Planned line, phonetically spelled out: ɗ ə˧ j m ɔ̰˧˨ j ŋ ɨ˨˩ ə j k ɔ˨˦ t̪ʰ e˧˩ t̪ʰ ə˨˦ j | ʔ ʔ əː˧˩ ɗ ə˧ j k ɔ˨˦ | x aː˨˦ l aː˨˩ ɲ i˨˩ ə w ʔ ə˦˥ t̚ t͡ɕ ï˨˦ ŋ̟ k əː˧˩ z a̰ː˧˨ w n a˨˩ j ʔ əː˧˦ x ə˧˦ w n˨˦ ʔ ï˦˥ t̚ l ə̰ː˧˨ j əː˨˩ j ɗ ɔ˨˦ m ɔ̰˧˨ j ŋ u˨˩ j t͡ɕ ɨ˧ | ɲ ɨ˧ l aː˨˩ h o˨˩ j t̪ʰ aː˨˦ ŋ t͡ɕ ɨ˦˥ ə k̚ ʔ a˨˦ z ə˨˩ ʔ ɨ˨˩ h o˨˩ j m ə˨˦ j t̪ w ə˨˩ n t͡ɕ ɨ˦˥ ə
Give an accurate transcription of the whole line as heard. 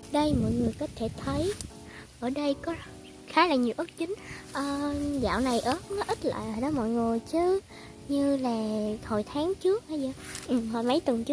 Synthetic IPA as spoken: ɗ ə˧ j m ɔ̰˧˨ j ŋ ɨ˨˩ ə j k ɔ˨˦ t̪ʰ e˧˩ t̪ʰ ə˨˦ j | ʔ ʔ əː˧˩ ɗ ə˧ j k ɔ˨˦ | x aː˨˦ l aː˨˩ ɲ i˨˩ ə w ʔ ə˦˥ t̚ t͡ɕ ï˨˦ ŋ̟ ʔ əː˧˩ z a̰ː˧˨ w n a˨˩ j ʔ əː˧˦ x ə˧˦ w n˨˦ ʔ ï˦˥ t̚ l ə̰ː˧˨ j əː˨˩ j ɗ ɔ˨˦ m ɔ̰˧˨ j ŋ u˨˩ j t͡ɕ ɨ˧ | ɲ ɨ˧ l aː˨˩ h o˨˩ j t̪ʰ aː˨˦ ŋ t͡ɕ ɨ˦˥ ə k̚ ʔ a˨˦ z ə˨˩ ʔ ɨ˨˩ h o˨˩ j m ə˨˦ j t̪ w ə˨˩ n t͡ɕ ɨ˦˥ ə